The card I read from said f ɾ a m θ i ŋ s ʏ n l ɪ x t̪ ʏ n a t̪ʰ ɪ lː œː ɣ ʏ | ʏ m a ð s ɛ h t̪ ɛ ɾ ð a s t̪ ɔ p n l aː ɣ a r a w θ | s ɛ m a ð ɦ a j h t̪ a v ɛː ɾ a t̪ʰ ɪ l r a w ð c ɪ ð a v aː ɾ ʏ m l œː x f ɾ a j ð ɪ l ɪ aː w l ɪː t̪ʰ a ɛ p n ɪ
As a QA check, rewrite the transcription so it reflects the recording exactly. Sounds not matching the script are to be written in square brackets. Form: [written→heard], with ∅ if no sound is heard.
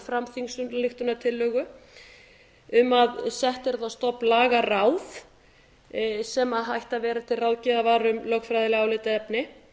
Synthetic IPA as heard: f ɾ a m θ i ŋ s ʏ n l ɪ x t̪ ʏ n a t̪ʰ ɪ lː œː ɣ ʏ | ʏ m a ð s ɛ h t̪ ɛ ɾ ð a s t̪ ɔ p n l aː ɣ a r a w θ | s ɛ m a ð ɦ a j h t̪ a v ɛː ɾ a t̪ʰ ɪ l r a w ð c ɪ ð a v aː ɾ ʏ m l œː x f ɾ a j ð ɪ l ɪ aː w l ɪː [t̪ʰ→t̪] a ɛ p n ɪ